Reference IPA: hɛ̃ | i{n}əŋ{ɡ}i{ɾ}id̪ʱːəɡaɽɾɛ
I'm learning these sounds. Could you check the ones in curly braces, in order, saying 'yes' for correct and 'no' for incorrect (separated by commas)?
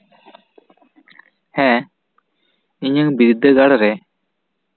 no, no, yes